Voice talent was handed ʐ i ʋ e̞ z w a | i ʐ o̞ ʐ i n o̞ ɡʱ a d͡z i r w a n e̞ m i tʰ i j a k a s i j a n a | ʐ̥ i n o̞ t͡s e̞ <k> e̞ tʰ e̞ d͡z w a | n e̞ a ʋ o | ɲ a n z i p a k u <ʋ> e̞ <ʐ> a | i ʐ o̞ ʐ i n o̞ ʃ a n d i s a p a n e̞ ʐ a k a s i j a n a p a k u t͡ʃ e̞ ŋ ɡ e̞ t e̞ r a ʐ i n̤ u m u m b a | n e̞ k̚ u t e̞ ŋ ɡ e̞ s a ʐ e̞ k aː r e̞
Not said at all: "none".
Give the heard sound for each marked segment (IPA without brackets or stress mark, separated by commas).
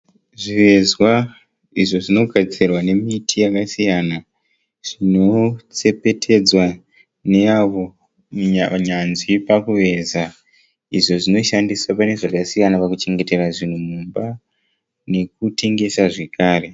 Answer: p, ʋ, z